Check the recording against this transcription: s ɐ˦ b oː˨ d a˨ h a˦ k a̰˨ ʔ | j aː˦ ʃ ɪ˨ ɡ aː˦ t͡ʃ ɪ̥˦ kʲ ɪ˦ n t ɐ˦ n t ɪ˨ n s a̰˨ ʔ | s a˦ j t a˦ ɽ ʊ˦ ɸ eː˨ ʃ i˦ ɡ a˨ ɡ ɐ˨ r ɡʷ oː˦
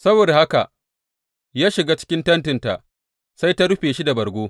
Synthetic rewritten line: s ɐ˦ b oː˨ d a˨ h a˦ k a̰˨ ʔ | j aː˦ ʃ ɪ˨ ɡ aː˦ t͡ʃ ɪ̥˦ kʲ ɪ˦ n t ɐ˦ n t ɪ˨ n t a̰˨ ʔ | s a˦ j t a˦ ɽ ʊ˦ ɸ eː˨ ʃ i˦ d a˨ b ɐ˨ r ɡʷ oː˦